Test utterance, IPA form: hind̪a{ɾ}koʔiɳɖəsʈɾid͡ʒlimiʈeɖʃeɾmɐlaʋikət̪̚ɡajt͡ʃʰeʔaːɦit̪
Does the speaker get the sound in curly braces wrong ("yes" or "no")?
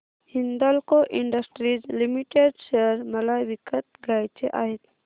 yes